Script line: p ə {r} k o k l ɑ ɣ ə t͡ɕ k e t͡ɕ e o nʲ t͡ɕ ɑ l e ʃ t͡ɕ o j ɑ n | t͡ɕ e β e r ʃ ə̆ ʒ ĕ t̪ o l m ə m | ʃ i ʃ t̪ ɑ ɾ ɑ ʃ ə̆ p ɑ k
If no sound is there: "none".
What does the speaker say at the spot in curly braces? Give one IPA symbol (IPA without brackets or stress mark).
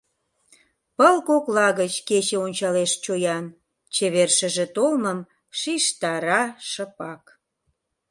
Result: l